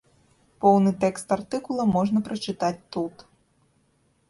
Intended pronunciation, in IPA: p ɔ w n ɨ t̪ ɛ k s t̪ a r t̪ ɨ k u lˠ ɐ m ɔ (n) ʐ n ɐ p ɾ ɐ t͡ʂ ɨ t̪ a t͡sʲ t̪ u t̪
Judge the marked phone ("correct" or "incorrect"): incorrect